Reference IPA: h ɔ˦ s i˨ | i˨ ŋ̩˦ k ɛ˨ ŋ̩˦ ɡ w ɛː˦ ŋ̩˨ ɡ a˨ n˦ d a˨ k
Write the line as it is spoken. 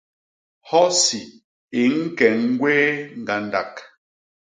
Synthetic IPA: h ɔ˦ s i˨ | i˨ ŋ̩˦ k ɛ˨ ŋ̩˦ ɡ w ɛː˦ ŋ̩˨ ɡ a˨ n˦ d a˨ k